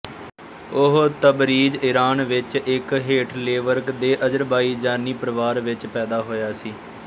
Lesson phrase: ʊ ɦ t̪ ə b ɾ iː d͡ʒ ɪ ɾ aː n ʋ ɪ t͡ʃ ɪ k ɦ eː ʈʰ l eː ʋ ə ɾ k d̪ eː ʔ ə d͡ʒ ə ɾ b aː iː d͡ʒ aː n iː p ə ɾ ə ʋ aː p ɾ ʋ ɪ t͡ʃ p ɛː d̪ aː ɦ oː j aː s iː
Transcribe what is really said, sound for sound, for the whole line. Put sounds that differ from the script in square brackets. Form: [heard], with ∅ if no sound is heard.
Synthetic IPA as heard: ʊ ɦ t̪ ə b ɾ iː d͡ʒ ɪ ɾ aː n ʋ ɪ t͡ʃ ɪ k ɦ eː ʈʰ l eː ʋ ə ɾ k d̪ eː ʔ ə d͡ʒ ə ɾ b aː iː d͡ʒ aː n iː p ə ɾ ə ʋ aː [∅] ɾ ʋ ɪ t͡ʃ p ɛː d̪ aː ɦ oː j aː s iː